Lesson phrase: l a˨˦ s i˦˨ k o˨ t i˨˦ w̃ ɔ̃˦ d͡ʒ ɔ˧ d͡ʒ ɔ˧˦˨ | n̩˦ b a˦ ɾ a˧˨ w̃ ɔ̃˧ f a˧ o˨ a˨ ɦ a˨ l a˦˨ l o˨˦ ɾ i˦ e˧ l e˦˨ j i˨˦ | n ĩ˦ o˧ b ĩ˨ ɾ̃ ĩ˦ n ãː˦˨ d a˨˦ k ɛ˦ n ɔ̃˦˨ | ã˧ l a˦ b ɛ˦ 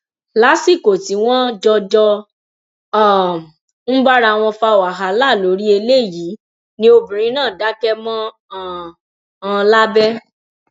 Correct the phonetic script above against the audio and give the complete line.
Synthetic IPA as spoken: l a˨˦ s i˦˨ k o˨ t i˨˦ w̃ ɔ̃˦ d͡ʒ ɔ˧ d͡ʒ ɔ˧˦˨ | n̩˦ b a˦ ɾ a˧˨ w̃ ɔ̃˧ f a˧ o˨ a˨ ɦ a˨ l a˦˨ l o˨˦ ɾ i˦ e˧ l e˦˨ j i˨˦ | n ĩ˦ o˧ b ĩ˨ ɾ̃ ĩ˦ n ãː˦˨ d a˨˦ k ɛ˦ m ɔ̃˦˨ | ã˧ l a˦ b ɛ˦

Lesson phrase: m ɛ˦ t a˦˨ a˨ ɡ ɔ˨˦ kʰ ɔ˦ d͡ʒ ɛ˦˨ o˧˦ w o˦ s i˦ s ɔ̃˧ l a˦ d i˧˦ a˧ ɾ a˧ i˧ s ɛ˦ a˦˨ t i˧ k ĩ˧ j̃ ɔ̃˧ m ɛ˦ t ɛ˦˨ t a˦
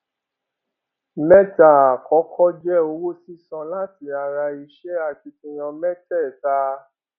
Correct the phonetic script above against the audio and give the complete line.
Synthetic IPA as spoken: m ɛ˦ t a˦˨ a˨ k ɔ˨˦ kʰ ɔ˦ d͡ʒ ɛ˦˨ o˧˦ w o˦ s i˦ s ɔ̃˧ l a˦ t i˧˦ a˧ ɾ a˧ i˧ ʃ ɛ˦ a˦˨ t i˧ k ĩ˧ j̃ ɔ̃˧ m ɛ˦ t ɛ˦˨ t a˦

